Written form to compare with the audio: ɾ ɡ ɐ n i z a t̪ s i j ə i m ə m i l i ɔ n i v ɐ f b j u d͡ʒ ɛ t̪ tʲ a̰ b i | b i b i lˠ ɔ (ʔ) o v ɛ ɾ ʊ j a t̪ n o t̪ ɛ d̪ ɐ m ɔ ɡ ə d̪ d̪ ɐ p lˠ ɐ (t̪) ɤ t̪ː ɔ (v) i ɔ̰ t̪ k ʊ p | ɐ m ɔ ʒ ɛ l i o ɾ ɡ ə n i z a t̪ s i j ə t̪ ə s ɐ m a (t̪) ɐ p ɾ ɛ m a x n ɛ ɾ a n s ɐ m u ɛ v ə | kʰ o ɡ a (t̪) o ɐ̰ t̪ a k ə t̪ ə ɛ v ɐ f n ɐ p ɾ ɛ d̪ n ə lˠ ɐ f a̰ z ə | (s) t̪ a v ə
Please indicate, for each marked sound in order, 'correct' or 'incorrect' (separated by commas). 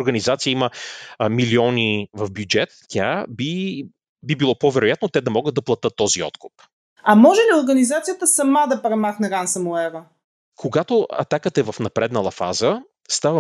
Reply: incorrect, correct, incorrect, incorrect, correct, correct